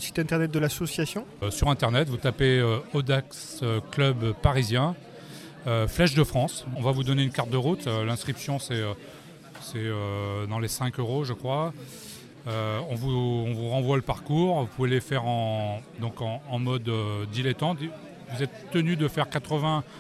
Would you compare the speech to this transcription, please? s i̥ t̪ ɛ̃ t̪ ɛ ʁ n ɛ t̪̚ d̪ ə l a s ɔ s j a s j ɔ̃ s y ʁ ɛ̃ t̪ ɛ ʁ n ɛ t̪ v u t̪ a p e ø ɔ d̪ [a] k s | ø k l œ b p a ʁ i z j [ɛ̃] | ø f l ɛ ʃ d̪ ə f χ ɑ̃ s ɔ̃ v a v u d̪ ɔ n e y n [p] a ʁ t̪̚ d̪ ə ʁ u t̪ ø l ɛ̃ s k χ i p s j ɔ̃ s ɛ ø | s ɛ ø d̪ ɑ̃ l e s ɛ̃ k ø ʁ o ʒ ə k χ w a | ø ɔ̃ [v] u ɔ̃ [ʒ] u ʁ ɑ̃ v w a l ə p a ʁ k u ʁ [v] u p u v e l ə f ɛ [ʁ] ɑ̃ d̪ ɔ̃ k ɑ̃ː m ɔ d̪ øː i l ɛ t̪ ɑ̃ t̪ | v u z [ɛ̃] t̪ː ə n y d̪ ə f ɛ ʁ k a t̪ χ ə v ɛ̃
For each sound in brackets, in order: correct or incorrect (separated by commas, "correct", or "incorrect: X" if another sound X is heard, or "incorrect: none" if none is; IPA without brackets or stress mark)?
correct, correct, incorrect: k, correct, incorrect: v, correct, correct, incorrect: ɛ